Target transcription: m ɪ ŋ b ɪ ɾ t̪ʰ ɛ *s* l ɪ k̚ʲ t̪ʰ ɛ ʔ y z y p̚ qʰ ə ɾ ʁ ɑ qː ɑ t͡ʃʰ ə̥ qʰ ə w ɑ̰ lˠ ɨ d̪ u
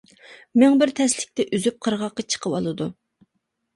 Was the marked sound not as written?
no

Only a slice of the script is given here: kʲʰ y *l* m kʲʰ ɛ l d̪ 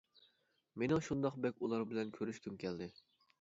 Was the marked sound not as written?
yes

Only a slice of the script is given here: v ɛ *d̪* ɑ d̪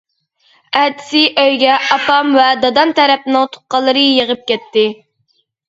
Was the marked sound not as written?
no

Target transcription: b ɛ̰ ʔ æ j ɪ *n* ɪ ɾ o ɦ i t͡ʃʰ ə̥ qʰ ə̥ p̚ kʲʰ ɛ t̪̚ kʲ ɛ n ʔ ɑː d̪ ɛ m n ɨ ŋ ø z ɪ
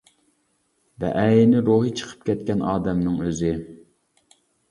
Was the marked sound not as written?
no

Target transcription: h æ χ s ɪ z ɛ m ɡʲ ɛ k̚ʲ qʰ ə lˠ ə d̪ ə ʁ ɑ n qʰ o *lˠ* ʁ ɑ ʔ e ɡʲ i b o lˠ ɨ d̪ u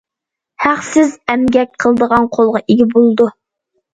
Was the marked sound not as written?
no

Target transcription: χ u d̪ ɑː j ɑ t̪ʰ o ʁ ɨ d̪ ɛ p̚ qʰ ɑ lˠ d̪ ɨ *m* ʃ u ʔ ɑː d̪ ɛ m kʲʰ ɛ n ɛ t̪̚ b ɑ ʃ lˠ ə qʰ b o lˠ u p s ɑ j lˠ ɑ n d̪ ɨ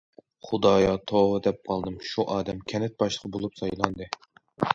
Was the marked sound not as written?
no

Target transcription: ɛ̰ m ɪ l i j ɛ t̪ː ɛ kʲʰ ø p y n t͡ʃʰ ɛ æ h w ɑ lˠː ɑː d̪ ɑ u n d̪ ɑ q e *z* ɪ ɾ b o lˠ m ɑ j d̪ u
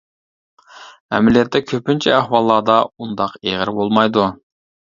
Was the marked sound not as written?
yes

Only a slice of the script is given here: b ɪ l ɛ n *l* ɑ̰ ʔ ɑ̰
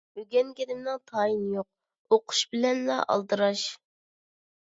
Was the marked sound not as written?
no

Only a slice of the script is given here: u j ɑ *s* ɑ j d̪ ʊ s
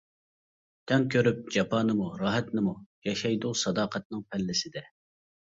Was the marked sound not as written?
yes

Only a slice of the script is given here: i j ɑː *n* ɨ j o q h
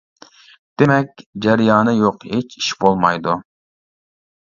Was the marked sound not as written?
no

